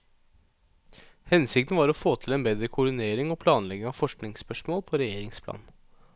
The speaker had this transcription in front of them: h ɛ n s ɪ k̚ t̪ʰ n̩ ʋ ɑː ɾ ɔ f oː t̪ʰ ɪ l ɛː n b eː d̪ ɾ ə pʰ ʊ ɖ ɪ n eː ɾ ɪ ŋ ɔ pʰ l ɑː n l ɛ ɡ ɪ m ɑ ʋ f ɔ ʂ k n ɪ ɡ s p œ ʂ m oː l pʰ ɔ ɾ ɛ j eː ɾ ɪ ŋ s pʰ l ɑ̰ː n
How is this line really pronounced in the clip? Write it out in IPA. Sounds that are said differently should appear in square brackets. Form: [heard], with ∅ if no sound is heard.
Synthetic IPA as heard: h ɛ n s ɪ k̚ [t̪] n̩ ʋ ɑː ɾ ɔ f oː t̪ʰ ɪ l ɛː n b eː d̪ ɾ ə [kʰ] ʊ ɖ ɪ n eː ɾ ɪ ŋ ɔ pʰ l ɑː n l ɛ ɡ ɪ [ŋ] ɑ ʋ f ɔ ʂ k n ɪ [ŋ] s p œ ʂ m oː l pʰ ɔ ɾ ɛ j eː ɾ ɪ ŋ s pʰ l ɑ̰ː n

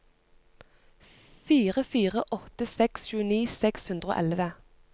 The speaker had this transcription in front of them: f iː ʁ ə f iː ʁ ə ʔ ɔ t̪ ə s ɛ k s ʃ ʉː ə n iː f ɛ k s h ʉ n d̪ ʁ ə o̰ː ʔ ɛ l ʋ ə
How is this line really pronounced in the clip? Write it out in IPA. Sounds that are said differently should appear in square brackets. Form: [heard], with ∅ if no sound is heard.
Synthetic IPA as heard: f iː ʁ ə f iː ʁ ə ʔ ɔ t̪ ə s ɛ k s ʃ ʉː ə n iː [s] ɛ k s h ʉ n d̪ ʁ ə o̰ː ʔ ɛ l ʋ ə

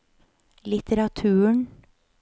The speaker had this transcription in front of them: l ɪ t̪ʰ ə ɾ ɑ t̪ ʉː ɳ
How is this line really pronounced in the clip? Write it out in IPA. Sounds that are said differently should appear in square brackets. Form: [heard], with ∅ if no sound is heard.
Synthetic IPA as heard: l ɪ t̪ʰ ə ɾ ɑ [t̪ʰ] ʉː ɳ

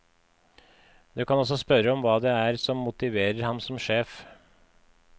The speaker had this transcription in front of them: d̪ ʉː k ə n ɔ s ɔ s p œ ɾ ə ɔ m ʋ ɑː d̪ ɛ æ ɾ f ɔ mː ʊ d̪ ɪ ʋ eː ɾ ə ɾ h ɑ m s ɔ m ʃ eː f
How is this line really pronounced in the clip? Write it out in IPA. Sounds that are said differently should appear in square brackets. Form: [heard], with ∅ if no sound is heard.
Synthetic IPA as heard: d̪ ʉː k [ɑ] n ɔ s ɔ s p œ ɾ ə ɔ m ʋ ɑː d̪ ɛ æ ɾ [s] ɔ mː ʊ [t̪] ɪ ʋ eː ɾ ə ɾ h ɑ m s ɔ m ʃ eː f

